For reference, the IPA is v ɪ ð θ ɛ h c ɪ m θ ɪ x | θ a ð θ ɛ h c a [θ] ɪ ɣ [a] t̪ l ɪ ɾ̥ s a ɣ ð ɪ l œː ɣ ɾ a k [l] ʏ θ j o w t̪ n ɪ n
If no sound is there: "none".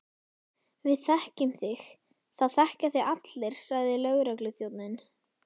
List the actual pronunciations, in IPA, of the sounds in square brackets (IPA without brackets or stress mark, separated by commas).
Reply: θ, a, l